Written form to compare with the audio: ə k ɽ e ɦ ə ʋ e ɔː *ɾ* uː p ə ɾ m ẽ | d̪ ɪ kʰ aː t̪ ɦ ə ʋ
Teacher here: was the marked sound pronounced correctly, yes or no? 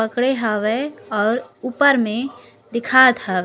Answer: yes